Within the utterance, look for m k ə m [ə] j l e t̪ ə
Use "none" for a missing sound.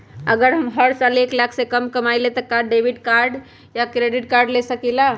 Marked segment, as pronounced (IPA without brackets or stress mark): a